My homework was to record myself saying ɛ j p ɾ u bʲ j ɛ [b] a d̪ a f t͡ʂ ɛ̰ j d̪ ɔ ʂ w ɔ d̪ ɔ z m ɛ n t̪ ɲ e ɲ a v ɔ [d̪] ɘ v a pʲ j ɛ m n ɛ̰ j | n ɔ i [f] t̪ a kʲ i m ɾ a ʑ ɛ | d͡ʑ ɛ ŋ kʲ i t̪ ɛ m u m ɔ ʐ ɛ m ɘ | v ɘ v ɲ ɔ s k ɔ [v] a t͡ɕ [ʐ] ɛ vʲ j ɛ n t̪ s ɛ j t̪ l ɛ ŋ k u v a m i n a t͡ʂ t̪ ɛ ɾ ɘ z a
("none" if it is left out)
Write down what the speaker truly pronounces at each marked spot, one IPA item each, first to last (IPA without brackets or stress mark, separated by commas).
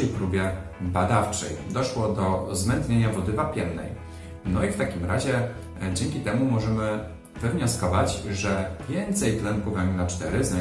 b, d̪, f, v, ʐ